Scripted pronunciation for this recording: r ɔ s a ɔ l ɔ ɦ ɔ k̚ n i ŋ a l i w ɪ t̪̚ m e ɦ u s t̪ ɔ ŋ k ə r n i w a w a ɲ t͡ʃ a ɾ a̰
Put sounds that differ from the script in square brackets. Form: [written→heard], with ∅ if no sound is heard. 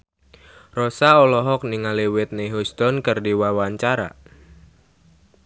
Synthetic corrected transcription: r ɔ s a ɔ l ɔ ɦ ɔ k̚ n i ŋ a l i w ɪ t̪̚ [m→n] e ɦ u s t̪ ɔ [ŋ→n] k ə r [n→d] i w a w a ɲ t͡ʃ a ɾ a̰